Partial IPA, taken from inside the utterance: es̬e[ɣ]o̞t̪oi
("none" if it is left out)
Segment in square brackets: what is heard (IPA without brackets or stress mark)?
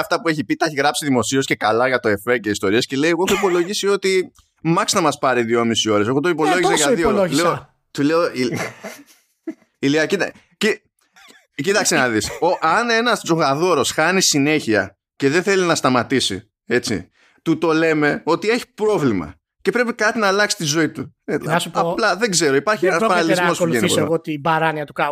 ɣ